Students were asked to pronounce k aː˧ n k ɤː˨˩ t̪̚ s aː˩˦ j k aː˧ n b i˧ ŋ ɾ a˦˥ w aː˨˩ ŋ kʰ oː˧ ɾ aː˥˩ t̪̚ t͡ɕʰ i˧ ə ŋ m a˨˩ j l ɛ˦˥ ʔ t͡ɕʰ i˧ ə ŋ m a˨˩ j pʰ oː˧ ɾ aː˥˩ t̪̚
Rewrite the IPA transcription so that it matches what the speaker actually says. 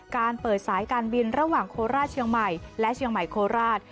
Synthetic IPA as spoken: k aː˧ n p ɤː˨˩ t̪̚ s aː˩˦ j k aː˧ n b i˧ n ɾ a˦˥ w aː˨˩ ŋ kʰ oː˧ ɾ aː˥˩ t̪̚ t͡ɕʰ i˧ ə ŋ m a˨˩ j l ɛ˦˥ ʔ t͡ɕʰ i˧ ə ŋ m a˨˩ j kʰ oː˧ ɾ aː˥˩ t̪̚

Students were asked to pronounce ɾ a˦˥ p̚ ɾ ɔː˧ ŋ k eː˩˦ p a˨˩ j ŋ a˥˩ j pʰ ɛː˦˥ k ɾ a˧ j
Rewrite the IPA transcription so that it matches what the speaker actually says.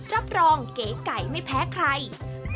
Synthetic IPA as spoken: ɾ a˦˥ p̚ ɾ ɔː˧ ŋ k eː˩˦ k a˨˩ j m a˥˩ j pʰ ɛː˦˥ kʰ ɾ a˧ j

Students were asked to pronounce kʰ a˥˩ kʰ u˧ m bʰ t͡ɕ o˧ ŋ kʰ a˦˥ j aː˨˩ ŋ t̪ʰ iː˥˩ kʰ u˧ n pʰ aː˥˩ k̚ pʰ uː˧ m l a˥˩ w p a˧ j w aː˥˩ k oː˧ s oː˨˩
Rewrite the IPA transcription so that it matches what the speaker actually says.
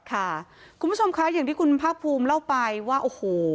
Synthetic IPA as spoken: kʰ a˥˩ kʰ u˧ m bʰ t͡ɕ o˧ m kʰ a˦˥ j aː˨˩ ŋ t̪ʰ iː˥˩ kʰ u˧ n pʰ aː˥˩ k̚ pʰ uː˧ m l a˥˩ w p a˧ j w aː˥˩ ʔ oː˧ h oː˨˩

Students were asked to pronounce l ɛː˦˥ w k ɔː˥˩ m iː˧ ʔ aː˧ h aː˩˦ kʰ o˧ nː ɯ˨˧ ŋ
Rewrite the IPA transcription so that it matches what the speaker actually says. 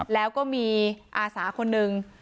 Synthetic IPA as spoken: l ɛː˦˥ w k ɔː˥˩ m iː˧ ʔ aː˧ s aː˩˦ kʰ o˧ nː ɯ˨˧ ŋ

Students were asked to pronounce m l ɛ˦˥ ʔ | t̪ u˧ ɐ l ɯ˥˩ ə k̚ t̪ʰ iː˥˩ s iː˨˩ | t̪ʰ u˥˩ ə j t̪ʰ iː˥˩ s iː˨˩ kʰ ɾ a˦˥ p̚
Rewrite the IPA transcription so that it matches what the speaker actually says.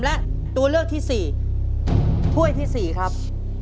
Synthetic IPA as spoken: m l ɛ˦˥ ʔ | t̪ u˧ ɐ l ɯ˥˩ ə k̚ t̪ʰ iː˥˩ s iː˨˩ | t̪ʰ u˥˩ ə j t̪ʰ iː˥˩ s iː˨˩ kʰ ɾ a˦˥ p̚

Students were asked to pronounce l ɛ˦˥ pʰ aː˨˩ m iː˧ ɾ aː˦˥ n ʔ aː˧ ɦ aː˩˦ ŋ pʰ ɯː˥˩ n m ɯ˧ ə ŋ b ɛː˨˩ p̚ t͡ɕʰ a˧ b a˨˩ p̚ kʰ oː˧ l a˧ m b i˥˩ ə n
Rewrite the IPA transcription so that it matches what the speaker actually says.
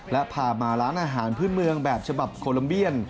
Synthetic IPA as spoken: l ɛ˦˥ pʰ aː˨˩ m aː˧ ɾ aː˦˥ n ʔ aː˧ ɦ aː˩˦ n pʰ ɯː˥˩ n m ɯ˧ ə ŋ b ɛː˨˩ p̚ t͡ɕʰ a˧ b a˨˩ p̚ kʰ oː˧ l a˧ m b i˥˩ ə n

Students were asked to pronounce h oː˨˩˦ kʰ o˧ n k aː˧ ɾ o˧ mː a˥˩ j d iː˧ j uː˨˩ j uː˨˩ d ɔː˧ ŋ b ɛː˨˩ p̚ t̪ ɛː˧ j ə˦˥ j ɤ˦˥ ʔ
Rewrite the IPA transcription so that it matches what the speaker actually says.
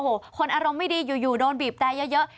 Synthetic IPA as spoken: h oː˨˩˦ kʰ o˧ n ʔ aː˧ ɾ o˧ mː a˥˩ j d iː˧ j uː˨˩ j uː˨˩ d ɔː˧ n b iː˨˩ p̚ t̪ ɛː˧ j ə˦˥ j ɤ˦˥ ʔ

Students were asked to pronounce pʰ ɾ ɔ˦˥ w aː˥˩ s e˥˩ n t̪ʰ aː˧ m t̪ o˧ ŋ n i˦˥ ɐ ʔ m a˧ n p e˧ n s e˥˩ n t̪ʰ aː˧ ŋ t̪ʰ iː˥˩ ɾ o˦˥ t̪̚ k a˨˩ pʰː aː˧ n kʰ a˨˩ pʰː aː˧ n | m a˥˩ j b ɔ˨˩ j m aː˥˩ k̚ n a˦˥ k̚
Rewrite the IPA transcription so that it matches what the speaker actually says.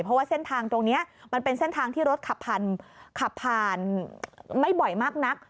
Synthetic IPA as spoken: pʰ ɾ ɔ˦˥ w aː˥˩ s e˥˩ n t̪ʰ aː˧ ŋ t̪ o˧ ŋ n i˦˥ ɐ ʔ m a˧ n p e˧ n s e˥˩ n t̪ʰ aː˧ ŋ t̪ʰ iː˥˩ ɾ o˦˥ t̪̚ kʰ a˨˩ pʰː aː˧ n kʰ a˨˩ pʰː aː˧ n | m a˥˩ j b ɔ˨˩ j m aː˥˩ k̚ n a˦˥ k̚

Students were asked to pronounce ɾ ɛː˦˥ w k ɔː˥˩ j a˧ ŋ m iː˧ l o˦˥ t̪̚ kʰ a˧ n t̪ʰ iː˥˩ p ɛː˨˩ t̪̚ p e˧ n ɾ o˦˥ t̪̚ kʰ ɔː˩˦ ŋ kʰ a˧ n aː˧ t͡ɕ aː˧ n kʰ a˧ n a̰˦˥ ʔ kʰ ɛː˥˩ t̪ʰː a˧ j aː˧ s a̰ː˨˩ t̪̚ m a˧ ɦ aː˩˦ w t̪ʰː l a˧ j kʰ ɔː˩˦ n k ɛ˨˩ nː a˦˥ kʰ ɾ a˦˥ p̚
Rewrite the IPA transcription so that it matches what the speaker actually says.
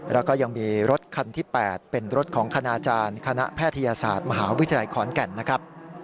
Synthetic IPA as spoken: ɾ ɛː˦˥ w k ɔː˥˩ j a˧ ŋ m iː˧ ɾ o˦˥ t̪̚ kʰ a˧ n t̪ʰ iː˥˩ p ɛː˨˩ t̪̚ p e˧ n ɾ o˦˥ t̪̚ kʰ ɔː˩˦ ŋ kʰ a˧ n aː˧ t͡ɕ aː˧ n kʰ a˧ n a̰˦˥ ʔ pʰ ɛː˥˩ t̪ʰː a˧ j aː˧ s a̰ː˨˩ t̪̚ m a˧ ɦ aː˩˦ w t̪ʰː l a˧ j kʰ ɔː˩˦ n k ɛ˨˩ nː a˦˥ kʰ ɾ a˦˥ p̚

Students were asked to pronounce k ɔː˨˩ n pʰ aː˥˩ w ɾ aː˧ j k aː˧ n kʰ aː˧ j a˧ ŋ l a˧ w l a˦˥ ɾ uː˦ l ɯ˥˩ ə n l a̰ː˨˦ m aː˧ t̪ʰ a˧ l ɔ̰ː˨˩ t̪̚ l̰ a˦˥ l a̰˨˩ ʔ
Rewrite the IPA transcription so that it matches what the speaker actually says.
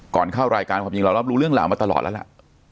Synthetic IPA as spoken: k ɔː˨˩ n kʰ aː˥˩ w ɾ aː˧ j k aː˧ n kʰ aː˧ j i˧ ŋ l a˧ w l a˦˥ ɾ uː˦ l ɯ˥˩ ə ŋ l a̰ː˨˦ m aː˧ t̪ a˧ l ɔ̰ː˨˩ t̪̚ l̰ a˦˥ l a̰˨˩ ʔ

